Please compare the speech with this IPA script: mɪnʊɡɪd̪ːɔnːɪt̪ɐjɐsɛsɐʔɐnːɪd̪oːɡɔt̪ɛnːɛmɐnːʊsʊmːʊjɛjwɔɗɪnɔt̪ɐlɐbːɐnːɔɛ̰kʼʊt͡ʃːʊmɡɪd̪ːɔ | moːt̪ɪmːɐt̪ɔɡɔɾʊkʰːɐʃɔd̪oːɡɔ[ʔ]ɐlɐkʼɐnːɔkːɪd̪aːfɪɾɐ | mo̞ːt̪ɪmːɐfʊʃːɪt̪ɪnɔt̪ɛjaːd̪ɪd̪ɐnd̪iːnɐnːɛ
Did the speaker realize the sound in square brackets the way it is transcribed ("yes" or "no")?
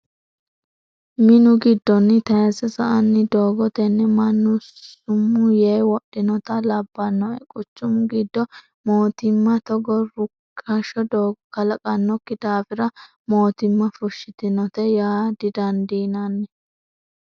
no